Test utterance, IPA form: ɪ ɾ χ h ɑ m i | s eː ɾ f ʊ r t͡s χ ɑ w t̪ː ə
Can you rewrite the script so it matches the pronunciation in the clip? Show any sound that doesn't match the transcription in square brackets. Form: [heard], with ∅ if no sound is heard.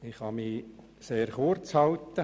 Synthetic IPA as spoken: ɪ [∅] χ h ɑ m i | s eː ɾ [χ] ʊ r t͡s [h] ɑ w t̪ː ə